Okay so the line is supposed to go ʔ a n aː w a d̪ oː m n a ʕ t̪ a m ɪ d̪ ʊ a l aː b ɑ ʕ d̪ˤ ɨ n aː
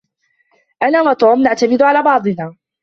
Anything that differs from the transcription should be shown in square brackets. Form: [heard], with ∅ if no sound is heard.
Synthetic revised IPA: ʔ a n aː w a [t̪] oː m n a ʕ t̪ a m ɪ d̪ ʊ a l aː b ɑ ʕ d̪ˤ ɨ n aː